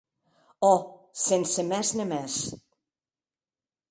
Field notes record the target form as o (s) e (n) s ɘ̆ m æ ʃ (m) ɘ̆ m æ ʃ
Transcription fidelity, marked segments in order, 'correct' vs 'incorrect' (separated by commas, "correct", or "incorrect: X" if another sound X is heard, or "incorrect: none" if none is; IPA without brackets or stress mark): correct, correct, incorrect: n